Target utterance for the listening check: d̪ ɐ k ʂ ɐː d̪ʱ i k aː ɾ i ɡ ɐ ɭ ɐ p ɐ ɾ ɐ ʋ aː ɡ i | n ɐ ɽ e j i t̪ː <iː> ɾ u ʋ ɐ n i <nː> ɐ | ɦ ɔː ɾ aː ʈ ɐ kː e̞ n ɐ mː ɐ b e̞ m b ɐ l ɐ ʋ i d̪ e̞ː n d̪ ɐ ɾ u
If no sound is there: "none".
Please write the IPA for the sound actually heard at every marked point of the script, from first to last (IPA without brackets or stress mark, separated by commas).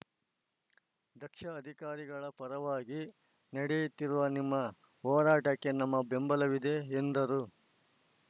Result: i, mː